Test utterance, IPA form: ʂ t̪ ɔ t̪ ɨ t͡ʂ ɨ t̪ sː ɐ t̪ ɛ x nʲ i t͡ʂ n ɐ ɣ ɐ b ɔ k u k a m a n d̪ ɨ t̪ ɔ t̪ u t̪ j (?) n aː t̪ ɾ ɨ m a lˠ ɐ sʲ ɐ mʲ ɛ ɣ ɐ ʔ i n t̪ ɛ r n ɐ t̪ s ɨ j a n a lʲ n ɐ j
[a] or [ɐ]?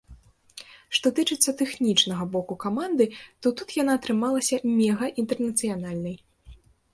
a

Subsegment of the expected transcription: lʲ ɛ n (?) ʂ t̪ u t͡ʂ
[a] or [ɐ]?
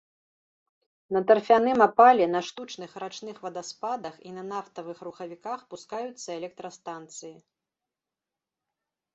ɐ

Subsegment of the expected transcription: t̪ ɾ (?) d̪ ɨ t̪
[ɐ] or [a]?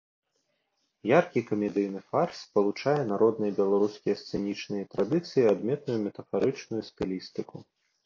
a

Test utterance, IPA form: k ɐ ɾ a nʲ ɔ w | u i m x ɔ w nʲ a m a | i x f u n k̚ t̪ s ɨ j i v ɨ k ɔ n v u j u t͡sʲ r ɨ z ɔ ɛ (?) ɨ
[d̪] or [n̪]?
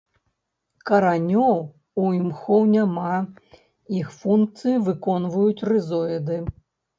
d̪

